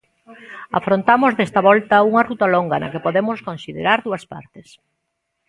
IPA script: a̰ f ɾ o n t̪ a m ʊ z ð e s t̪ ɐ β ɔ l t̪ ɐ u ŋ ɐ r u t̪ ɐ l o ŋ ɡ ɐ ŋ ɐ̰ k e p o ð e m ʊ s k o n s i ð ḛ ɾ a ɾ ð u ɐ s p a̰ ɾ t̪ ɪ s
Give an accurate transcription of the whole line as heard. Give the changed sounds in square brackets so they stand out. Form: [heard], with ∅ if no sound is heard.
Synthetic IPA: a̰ f ɾ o n t̪ a m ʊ z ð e s t̪ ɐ β ɔ l t̪ ɐ u ŋ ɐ r u t̪ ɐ l o ŋ ɡ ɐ [n] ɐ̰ k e p o ð e m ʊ s k o n s i ð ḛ ɾ a ɾ ð u ɐ s p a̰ ɾ t̪ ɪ s